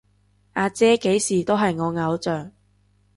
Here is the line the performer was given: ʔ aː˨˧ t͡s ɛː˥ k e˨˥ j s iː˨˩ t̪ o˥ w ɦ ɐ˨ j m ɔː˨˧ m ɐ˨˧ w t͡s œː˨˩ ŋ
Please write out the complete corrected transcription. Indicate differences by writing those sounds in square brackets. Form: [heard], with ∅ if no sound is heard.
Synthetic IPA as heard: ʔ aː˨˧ t͡s ɛː˥ k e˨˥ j s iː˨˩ t̪ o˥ w ɦ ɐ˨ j [ŋ] ɔː˨˧ [ŋ] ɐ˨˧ w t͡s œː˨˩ ŋ